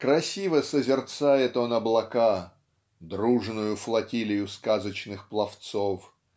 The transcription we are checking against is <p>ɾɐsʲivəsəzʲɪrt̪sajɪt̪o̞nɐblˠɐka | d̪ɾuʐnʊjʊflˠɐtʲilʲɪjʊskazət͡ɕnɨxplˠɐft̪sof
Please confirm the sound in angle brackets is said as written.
no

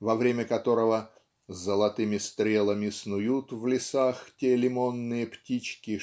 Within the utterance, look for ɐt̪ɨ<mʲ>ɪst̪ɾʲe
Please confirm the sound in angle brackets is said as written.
yes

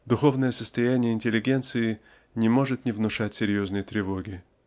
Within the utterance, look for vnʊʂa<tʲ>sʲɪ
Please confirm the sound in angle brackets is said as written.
yes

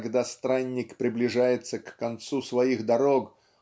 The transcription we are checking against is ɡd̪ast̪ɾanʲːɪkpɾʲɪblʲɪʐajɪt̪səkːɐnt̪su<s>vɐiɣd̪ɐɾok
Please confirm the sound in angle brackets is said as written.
yes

